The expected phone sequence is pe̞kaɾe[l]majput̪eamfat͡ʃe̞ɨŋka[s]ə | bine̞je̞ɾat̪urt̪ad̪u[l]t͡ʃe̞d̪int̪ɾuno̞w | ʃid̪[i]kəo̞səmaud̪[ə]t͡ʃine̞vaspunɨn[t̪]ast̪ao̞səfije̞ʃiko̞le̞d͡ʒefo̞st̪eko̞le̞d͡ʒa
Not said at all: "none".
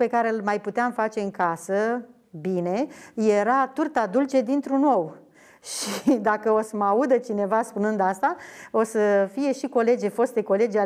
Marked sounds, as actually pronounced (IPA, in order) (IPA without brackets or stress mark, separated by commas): l, s, l, a, ə, d̪